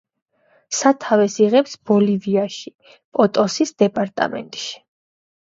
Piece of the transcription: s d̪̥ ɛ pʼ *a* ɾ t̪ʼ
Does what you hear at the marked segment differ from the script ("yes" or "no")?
no